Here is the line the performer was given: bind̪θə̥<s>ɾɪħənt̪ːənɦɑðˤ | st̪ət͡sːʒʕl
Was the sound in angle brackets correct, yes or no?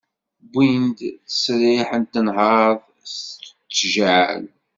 yes